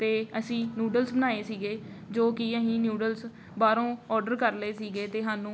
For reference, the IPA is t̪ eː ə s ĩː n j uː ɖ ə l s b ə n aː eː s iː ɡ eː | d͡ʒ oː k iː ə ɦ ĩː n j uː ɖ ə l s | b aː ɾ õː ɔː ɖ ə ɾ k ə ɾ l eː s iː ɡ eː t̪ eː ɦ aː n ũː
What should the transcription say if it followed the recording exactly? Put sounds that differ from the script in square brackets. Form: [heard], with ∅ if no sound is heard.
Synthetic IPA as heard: t̪ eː ə s ĩː n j uː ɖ ə l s b ə n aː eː s iː ɡ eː | d͡ʒ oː k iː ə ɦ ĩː n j uː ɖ ə l s | b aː ɾ õː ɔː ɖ ə ɾ k ə ɾ l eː s iː ɡ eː t̪ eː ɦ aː n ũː